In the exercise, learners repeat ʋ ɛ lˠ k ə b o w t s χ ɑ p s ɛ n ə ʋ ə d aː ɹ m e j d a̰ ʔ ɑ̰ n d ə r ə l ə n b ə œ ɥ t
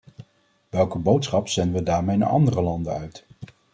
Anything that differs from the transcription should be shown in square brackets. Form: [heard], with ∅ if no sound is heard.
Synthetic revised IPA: ʋ ɛ lˠ k ə b o w t s χ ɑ p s ɛ n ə ʋ ə d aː ɹ m e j [n] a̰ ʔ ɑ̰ n d ə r ə l [ɑ] n [d] ə œ ɥ t